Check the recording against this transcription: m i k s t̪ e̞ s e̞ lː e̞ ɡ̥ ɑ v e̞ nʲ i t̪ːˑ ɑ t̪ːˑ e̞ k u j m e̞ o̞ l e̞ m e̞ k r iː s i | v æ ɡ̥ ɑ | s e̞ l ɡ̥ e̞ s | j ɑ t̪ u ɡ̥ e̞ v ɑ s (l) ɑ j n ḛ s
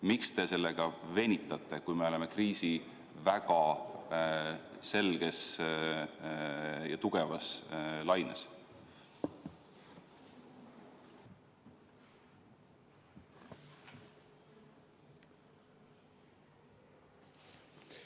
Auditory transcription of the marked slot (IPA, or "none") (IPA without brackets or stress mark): l